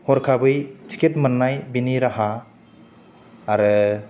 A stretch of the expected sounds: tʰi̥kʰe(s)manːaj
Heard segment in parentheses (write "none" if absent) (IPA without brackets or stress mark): t